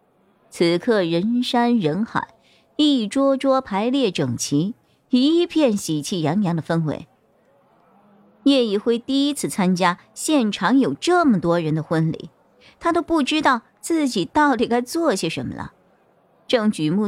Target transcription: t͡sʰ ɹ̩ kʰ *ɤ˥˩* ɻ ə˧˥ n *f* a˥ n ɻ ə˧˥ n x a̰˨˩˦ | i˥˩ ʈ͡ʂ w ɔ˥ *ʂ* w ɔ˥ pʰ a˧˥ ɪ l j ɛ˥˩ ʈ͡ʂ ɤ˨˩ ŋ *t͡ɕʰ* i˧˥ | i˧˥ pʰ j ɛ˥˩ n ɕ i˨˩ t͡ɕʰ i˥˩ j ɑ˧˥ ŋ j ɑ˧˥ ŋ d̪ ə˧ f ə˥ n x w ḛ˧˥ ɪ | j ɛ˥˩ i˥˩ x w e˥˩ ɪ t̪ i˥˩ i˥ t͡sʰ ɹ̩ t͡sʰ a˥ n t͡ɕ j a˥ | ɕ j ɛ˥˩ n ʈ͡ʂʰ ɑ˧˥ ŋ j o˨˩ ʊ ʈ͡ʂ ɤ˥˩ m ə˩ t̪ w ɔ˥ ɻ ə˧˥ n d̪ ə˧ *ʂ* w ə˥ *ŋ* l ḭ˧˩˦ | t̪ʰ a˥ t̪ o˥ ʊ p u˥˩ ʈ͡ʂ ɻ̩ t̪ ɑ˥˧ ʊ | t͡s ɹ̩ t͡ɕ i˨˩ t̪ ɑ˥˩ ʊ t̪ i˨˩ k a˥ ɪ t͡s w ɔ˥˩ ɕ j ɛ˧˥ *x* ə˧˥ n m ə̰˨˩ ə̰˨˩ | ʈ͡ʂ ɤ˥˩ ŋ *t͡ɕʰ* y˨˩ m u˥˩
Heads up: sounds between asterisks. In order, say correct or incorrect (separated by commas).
correct, incorrect, incorrect, correct, incorrect, incorrect, incorrect, incorrect